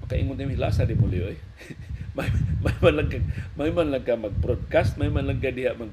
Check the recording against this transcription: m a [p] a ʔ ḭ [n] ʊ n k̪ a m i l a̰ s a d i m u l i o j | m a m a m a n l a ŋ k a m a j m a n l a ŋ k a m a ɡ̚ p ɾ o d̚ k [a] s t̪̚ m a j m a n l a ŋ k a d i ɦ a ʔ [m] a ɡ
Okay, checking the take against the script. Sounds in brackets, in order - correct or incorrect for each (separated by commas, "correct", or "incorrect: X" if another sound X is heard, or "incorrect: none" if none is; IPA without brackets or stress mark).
incorrect: k, incorrect: ŋ, correct, correct